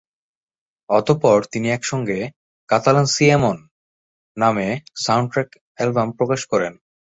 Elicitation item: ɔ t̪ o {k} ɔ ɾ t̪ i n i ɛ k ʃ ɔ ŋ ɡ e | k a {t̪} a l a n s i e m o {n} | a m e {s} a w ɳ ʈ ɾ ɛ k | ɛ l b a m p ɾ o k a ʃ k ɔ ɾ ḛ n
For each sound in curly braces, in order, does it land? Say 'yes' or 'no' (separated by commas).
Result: no, yes, no, yes